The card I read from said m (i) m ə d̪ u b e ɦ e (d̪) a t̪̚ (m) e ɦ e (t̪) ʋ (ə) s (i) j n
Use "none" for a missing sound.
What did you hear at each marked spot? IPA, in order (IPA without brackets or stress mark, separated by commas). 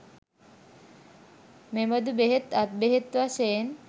e, t̪, b, t̪, a, e